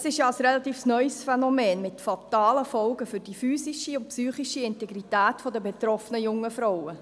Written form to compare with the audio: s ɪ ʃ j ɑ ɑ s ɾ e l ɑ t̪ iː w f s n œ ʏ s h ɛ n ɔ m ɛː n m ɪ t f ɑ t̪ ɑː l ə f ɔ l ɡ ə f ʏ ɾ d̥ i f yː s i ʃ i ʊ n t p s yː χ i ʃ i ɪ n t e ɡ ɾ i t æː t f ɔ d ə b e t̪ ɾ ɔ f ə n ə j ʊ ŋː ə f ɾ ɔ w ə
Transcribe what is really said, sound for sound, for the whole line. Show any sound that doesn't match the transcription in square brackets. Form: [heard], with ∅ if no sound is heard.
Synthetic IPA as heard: s ɪ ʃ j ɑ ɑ s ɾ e l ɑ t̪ iː [∅] f s n œ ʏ s [f] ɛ n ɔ m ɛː n m ɪ t f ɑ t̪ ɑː l ə f ɔ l ɡ ə f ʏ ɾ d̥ i f yː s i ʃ i ʊ n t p s yː χ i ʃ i ɪ n t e ɡ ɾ i t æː t f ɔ d ə b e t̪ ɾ ɔ f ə n ə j ʊ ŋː ə f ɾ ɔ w ə